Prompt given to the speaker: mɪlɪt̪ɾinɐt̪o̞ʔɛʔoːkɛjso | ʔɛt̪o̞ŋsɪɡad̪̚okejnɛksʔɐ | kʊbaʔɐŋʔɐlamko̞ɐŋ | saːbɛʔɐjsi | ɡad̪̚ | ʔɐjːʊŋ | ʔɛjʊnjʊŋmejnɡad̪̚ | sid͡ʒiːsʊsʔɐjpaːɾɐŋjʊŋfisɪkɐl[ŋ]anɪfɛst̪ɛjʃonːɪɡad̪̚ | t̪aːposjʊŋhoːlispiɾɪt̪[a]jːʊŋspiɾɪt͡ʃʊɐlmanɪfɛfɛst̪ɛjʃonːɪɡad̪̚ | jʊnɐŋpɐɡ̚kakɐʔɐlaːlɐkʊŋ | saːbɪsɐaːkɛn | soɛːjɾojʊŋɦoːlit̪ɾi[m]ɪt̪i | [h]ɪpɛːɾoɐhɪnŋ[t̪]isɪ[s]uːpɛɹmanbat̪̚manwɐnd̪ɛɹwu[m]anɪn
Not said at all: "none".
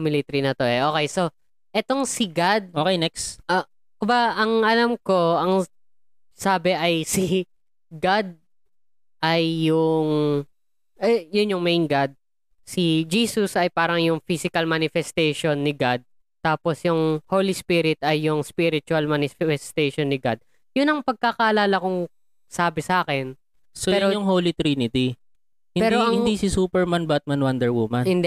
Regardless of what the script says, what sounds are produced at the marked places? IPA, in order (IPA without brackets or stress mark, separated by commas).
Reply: m, ɐ, n, h, d̪, s, m